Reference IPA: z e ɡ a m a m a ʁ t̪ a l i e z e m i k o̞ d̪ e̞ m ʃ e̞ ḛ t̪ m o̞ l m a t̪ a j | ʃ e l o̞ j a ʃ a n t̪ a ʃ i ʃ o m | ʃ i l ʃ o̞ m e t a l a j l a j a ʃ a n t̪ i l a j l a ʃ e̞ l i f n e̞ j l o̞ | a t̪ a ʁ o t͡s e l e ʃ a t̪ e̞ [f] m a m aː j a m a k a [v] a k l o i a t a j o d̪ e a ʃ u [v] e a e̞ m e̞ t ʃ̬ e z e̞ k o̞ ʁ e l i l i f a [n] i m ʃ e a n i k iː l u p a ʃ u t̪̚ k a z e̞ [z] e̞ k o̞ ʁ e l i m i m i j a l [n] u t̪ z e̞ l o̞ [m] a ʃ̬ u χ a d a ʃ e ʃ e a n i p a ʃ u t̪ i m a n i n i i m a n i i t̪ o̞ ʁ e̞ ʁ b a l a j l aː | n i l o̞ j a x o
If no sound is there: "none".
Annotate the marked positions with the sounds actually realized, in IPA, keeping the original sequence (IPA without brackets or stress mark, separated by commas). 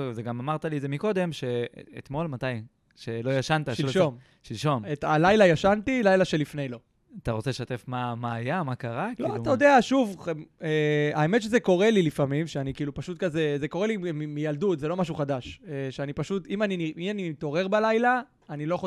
f, ʁ, v, m, z, d, m